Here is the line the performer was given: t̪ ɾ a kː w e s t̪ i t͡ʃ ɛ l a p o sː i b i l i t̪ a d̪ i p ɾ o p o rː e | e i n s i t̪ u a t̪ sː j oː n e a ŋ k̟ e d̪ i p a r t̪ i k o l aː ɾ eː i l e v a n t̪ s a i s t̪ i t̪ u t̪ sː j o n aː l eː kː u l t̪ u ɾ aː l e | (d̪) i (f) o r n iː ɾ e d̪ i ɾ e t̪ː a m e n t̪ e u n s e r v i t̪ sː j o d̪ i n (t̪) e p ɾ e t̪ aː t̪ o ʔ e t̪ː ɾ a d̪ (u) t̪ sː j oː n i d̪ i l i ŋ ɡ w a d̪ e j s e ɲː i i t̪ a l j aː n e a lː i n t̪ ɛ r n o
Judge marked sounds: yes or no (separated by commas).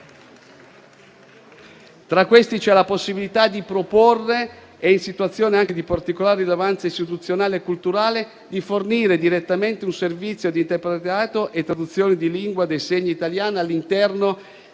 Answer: yes, yes, yes, yes